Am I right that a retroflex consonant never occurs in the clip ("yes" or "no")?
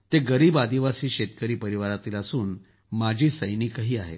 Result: yes